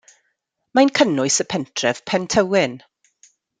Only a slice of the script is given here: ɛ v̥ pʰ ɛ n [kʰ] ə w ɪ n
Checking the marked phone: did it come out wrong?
yes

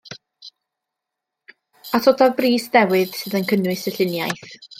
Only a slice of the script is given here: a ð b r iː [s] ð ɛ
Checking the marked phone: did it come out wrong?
no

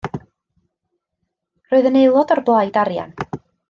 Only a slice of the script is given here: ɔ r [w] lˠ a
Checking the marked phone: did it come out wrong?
yes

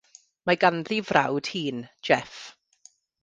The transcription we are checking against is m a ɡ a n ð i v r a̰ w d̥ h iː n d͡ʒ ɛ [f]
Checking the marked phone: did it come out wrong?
no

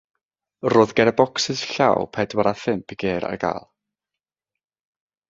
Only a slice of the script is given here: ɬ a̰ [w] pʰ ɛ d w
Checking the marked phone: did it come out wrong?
no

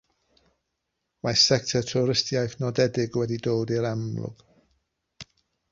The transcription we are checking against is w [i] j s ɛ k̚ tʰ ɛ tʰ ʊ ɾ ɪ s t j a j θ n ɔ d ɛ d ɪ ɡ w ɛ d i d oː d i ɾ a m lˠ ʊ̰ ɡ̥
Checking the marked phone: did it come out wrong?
yes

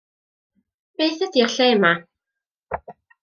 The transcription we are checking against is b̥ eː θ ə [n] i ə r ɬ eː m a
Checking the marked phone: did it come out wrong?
yes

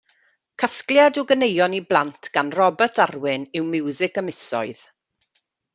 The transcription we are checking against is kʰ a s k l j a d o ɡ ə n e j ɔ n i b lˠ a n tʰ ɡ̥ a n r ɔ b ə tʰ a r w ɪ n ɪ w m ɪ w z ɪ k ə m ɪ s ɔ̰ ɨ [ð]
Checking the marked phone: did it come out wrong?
no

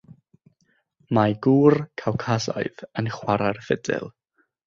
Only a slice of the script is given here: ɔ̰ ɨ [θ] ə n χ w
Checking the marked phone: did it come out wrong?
yes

